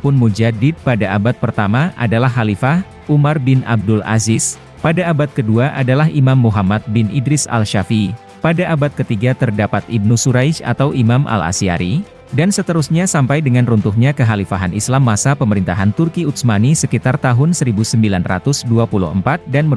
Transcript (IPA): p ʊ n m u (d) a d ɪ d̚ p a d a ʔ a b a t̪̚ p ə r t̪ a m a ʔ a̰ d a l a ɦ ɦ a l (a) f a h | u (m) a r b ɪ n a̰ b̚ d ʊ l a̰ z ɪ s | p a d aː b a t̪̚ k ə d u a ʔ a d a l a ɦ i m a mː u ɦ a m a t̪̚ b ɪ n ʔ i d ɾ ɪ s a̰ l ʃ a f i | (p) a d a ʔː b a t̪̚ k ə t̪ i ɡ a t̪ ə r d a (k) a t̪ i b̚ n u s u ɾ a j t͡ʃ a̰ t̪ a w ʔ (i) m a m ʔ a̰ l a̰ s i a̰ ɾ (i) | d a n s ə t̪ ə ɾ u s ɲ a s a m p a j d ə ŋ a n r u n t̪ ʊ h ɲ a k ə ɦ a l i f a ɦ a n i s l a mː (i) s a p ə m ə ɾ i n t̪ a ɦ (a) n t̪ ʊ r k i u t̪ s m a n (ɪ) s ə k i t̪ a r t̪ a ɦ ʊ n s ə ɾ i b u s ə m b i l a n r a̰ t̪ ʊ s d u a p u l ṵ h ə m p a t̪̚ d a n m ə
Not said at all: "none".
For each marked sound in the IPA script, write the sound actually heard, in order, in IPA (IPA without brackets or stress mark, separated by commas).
d͡ʒ, i, m, p, p, i, i, a, a, i